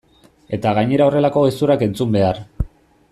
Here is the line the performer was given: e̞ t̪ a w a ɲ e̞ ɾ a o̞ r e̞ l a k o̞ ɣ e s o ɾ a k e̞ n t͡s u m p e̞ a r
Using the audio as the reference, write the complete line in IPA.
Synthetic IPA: e̞ t̪ a ɣ a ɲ e̞ ɾ a o̞ r e̞ l a k o̞ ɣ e s u ɾ a k e̞ n t͡s u m b e̞ a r